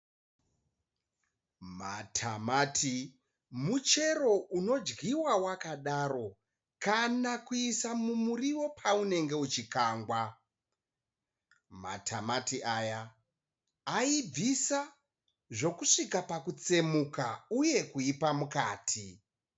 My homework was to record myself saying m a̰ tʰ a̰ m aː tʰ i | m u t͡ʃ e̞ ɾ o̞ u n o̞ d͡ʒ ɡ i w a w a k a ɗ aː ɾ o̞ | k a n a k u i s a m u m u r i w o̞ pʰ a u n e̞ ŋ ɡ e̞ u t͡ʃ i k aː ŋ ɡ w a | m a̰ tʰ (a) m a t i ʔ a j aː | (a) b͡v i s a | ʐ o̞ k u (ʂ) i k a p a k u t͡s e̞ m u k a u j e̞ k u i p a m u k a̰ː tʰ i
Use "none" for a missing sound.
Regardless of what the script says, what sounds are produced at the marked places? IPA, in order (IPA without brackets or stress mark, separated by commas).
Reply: a, i, ʂ